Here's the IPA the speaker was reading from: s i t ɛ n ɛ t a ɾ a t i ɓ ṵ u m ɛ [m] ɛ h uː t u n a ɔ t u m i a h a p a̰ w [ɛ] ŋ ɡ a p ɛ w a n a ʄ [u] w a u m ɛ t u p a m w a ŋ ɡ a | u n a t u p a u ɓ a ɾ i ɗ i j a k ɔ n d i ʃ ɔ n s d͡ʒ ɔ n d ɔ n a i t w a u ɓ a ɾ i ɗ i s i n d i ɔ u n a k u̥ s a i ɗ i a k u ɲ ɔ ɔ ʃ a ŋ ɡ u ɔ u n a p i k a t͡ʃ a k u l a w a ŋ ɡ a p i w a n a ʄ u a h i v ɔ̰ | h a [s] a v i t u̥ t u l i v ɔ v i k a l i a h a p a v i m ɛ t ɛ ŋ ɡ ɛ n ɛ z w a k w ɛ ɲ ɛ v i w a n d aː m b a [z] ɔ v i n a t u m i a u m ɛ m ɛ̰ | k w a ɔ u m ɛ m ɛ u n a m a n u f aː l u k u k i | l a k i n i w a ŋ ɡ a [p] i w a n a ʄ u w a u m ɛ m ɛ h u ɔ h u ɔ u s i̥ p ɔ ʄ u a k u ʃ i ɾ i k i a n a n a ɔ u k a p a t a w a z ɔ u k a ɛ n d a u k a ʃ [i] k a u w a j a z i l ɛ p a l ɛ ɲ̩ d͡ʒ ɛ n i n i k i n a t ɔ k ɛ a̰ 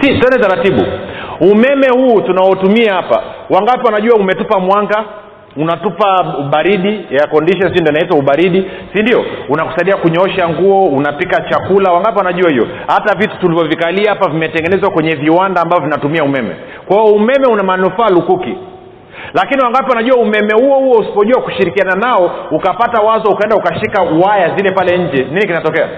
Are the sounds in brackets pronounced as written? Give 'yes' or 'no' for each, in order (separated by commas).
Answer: yes, no, yes, no, no, yes, yes